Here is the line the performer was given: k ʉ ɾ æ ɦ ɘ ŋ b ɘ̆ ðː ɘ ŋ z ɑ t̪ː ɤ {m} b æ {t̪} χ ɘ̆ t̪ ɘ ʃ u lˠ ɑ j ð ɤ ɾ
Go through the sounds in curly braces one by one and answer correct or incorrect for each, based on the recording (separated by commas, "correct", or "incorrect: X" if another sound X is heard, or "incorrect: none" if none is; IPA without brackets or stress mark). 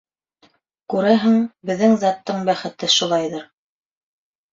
incorrect: ɴ, incorrect: none